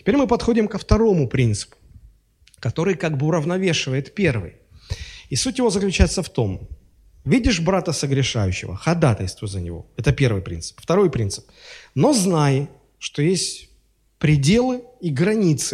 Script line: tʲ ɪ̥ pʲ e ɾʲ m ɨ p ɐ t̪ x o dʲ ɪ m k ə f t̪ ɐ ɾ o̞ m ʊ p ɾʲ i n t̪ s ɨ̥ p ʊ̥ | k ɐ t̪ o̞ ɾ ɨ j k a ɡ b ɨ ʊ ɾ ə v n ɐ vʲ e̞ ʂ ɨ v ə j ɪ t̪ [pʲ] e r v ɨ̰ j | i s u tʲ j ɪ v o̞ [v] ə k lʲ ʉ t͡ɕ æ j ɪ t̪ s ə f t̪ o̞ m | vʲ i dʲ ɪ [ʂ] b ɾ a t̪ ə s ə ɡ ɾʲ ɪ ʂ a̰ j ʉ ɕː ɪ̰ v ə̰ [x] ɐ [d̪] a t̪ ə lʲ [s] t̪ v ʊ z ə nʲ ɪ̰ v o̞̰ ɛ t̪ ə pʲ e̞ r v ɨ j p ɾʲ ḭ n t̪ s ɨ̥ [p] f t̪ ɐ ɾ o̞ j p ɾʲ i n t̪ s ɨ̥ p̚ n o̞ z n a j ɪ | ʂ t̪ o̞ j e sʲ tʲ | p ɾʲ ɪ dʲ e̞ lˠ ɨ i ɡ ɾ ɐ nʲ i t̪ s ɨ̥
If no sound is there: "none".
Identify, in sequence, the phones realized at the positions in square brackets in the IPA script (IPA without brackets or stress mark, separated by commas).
pʲ, z, ʂ, x, d̪, s, p